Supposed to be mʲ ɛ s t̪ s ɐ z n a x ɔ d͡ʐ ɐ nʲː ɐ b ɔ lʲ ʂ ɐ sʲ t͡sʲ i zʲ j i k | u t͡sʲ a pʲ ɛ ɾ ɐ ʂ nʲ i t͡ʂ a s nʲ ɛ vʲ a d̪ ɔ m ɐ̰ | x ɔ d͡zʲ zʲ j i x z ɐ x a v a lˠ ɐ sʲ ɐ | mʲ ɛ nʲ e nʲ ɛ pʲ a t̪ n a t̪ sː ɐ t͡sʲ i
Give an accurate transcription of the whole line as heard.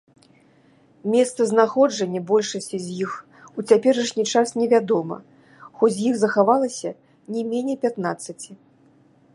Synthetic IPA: mʲ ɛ s t̪ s ɐ z n a x ɔ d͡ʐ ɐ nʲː ɐ b ɔ lʲ ʂ ɐ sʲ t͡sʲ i zʲ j i x | u t͡sʲ a pʲ ɛ ɾ ɐ ʂ nʲ i t͡ʂ a s nʲ ɛ vʲ a d̪ ɔ m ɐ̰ | x ɔ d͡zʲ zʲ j i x z ɐ x a v a lˠ ɐ sʲ ɐ | nʲ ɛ mʲ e nʲ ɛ pʲ a t̪ n a t̪ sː ɐ t͡sʲ i